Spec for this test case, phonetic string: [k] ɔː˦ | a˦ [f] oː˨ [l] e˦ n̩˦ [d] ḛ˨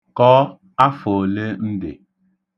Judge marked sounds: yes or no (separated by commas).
yes, yes, yes, yes